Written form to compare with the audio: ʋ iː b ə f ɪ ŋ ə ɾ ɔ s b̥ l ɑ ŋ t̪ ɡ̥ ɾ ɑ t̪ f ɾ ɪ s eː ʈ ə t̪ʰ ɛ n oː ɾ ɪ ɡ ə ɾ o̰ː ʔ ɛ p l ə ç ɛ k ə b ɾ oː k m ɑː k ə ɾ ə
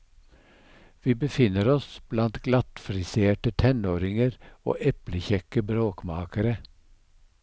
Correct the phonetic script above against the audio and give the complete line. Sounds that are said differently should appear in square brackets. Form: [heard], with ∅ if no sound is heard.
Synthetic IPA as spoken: ʋ iː b ə f ɪ [n] ə ɾ ɔ s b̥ l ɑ [n] t̪ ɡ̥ [l] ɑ t̪ f ɾ ɪ s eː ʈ ə t̪ʰ ɛ n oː ɾ ɪ [ŋ] ə ɾ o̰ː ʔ ɛ p l ə ç ɛ k ə b ɾ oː k m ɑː k ə ɾ ə